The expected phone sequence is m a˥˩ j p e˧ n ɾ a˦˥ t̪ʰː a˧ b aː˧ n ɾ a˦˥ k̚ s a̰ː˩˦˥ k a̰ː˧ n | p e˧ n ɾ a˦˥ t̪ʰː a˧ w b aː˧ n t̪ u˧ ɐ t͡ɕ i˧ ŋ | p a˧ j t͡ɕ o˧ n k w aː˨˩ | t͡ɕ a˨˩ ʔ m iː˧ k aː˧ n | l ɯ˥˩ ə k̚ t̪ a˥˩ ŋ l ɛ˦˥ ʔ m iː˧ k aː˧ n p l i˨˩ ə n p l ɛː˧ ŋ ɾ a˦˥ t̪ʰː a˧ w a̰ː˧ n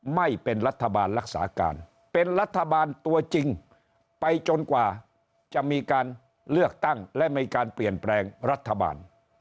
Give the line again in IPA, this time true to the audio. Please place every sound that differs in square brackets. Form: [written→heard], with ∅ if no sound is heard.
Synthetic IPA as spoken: m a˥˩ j p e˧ n ɾ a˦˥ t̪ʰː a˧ b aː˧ n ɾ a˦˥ k̚ s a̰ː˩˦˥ k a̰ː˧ n | p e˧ n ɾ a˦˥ t̪ʰː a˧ [w→∅] b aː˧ n t̪ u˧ ɐ t͡ɕ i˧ ŋ | p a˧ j t͡ɕ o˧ n k w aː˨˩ | t͡ɕ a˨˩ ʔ m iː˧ k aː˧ n | l ɯ˥˩ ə k̚ t̪ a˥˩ ŋ l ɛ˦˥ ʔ m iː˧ k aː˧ n p l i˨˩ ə n p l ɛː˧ ŋ ɾ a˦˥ t̪ʰː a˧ [w→b] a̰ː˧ n